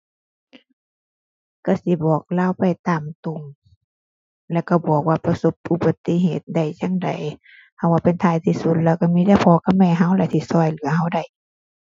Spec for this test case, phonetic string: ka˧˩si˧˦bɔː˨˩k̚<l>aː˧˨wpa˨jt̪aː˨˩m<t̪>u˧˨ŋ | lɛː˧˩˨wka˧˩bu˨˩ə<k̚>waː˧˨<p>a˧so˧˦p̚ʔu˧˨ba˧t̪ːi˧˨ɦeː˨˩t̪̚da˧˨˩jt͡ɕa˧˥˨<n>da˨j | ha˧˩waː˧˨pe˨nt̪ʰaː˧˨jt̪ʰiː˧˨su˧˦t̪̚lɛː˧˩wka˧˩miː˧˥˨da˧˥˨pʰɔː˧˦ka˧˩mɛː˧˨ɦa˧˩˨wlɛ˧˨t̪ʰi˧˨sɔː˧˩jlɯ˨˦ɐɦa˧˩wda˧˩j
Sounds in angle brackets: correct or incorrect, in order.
correct, correct, correct, correct, incorrect: ŋ

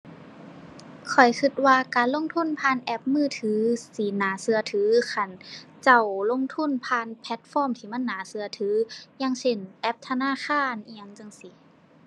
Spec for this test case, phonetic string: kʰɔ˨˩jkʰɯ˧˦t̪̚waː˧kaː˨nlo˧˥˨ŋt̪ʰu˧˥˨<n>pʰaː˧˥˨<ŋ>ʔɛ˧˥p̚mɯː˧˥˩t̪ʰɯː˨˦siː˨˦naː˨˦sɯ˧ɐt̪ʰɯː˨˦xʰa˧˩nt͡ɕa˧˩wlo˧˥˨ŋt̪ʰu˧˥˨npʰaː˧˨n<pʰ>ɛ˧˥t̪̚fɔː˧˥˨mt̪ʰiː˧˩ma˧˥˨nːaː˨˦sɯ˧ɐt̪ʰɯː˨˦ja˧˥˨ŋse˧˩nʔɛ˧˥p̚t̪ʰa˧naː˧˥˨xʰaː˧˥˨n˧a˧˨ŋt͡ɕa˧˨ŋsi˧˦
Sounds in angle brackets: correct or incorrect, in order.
correct, incorrect: n, correct

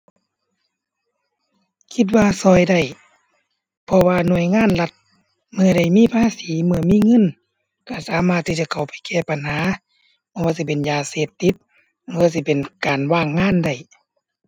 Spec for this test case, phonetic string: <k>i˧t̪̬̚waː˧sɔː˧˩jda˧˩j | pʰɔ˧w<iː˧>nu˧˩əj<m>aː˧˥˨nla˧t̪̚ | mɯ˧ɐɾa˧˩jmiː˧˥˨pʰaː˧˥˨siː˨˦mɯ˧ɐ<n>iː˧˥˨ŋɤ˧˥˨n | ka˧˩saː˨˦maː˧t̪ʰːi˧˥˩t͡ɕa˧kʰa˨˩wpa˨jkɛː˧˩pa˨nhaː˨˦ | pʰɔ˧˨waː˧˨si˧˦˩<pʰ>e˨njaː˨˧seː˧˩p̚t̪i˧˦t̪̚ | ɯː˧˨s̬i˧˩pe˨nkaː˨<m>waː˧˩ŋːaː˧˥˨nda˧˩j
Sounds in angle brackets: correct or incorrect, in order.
incorrect: kʰ, incorrect: aː˧, incorrect: ŋ, incorrect: m, incorrect: p, incorrect: n

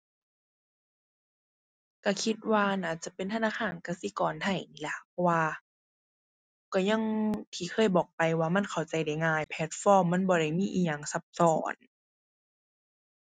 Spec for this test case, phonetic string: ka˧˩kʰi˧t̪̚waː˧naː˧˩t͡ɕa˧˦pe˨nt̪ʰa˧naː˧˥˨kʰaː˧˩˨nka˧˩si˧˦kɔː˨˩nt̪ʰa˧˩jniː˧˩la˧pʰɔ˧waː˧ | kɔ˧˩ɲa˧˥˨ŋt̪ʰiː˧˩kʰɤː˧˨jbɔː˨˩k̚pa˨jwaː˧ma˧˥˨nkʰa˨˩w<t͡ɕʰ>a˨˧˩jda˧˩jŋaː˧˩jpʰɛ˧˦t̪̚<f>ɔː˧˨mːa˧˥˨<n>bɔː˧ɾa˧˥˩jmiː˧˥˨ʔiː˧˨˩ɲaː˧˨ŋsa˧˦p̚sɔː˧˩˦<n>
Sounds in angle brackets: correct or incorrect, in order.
incorrect: t͡ɕ, correct, correct, correct

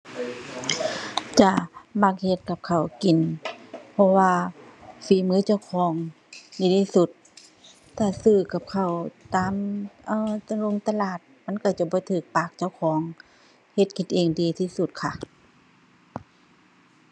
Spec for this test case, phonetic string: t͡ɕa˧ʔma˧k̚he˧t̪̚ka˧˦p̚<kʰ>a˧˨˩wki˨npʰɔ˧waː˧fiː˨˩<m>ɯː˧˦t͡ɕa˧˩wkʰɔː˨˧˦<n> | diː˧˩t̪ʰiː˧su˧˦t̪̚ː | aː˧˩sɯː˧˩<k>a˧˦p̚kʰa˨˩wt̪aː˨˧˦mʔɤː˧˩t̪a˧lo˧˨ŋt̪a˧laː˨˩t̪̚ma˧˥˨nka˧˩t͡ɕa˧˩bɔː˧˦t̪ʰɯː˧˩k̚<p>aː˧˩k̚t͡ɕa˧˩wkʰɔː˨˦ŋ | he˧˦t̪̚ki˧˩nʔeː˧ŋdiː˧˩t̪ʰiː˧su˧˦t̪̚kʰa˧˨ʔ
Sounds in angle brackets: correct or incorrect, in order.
correct, correct, incorrect: ŋ, correct, correct

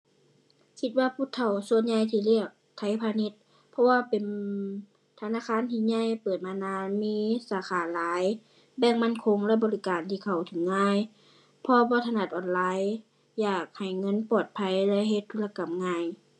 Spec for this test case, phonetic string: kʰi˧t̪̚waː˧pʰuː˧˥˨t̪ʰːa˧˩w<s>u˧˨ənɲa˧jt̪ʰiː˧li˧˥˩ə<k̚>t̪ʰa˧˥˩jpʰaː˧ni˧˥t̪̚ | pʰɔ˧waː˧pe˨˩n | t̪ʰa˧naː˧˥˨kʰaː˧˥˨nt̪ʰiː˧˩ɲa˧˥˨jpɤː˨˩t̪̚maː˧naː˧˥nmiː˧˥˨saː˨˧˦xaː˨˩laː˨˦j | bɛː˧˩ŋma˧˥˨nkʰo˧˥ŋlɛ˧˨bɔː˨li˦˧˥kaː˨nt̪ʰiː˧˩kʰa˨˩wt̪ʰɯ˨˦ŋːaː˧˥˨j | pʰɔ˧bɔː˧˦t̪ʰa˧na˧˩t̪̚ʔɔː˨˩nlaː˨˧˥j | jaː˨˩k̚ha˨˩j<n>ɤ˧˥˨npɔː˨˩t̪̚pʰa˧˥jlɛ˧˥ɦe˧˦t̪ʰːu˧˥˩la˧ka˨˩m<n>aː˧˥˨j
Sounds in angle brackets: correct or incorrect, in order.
correct, correct, incorrect: ŋ, incorrect: ŋ

